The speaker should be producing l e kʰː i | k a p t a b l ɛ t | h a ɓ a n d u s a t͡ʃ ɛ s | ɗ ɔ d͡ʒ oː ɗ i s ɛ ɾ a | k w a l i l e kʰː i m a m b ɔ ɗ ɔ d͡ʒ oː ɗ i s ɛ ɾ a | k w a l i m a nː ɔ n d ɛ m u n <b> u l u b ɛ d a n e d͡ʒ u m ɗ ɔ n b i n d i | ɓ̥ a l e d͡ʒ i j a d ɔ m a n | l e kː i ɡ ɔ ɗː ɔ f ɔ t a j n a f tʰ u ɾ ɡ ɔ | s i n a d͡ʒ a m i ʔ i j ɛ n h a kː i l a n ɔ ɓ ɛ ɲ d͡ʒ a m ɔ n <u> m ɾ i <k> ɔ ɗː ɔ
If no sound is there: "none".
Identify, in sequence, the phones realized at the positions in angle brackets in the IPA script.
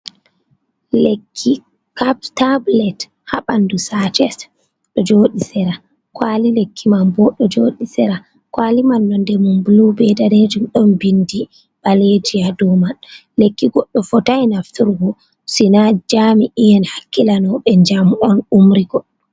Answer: b, u, ɡ

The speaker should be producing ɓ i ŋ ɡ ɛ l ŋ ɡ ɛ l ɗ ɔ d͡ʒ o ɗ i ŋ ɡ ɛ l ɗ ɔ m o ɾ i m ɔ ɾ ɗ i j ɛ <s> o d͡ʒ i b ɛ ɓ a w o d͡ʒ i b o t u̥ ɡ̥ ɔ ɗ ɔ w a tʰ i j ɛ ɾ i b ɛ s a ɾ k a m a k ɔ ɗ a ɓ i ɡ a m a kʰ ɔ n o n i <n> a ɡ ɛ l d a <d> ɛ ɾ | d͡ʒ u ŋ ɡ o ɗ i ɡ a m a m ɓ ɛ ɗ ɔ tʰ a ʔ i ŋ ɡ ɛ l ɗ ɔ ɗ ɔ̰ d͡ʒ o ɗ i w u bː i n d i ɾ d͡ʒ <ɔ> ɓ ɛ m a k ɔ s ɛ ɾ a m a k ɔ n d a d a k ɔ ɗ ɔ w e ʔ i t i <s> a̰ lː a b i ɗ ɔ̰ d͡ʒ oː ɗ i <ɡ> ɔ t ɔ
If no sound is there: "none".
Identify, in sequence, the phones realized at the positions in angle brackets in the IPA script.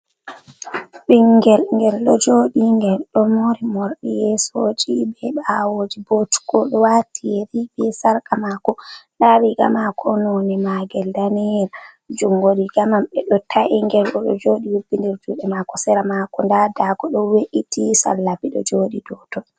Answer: s, m, n, u, s, d

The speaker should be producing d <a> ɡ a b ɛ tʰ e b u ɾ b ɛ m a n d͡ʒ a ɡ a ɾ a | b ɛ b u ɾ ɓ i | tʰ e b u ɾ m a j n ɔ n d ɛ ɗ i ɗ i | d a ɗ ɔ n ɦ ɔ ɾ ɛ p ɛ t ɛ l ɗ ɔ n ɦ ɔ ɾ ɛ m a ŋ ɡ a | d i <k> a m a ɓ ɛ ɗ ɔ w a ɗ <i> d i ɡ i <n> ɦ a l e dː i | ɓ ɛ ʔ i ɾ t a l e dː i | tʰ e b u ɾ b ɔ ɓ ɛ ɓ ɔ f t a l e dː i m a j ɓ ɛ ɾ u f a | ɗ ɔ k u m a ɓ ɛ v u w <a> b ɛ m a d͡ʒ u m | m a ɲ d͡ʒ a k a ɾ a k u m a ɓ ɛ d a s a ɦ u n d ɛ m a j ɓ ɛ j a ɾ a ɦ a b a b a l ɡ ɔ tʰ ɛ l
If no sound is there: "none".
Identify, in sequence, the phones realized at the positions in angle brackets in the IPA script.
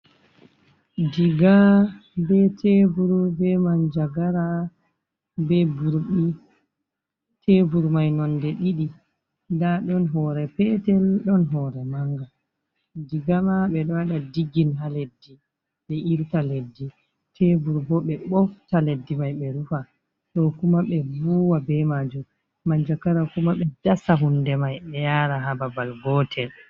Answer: i, ɡ, a, n, a

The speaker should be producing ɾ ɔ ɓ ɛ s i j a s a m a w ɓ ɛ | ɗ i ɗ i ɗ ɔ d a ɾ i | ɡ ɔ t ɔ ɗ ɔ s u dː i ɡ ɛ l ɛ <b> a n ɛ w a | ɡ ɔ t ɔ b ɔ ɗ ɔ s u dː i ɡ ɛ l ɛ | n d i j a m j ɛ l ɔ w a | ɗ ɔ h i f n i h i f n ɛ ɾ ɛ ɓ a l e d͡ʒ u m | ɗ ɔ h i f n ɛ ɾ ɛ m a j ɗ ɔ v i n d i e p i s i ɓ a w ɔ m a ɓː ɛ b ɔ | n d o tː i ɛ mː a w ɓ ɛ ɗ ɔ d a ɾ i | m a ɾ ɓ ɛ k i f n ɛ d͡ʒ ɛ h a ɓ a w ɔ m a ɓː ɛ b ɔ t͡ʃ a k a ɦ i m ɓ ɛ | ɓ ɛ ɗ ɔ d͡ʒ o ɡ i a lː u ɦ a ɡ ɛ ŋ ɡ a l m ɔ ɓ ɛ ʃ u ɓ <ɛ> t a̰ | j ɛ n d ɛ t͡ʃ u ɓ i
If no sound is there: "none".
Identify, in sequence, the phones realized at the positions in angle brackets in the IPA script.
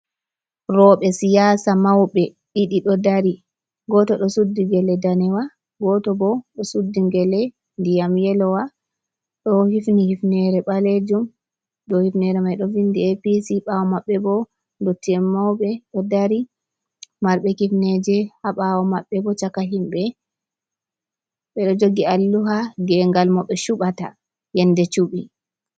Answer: d, a

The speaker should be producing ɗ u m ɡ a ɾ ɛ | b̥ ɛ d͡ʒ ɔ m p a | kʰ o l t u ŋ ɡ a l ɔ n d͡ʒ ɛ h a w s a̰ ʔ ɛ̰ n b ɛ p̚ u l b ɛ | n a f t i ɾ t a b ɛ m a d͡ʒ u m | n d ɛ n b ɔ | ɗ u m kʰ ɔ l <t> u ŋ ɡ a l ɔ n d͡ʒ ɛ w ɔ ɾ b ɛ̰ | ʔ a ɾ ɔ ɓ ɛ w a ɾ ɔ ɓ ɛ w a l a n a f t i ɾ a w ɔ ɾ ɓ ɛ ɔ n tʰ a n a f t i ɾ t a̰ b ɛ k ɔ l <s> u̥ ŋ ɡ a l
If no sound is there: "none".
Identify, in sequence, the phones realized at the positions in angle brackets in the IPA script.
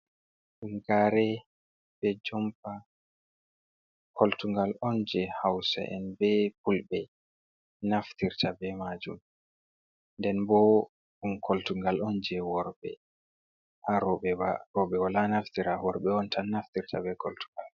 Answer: t, t

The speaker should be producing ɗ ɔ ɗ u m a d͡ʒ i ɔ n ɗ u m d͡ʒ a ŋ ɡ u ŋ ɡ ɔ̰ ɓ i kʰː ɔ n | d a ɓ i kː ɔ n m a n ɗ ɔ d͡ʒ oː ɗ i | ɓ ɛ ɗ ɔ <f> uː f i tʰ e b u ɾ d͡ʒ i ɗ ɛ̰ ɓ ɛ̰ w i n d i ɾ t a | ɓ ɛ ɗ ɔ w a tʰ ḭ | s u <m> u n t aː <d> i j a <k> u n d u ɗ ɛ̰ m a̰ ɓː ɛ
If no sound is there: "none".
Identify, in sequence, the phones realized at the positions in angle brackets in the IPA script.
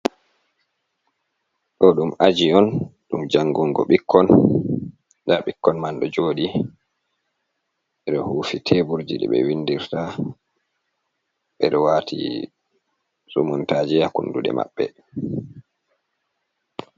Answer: h, m, d͡ʒ, k

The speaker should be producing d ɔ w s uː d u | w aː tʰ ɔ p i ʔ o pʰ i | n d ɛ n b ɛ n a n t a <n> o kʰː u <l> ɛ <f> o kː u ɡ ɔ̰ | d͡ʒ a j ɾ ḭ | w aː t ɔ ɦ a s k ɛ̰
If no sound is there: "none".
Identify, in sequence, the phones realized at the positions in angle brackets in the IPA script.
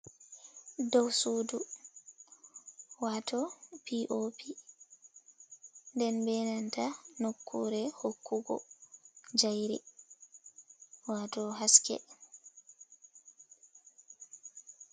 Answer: n, ɾ, h

